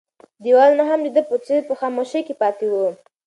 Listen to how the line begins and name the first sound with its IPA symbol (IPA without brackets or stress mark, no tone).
d̪